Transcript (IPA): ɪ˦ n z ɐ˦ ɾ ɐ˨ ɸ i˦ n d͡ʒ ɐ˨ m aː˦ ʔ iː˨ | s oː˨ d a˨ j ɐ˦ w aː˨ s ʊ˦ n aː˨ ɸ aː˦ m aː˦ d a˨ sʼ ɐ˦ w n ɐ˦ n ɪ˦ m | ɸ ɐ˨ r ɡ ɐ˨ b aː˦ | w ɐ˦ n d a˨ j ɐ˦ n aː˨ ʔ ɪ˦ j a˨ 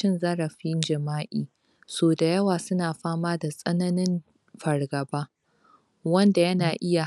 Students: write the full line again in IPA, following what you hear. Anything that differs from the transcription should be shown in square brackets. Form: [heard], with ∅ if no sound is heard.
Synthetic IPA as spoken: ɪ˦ n z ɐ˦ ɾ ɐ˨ ɸ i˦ n d͡ʒ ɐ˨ m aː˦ ʔ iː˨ | s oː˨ d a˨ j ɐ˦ w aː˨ s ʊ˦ n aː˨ ɸ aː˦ m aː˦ d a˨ sʼ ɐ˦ [∅] n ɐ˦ n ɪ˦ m | ɸ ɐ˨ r ɡ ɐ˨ b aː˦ | w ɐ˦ n d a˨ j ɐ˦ n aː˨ ʔ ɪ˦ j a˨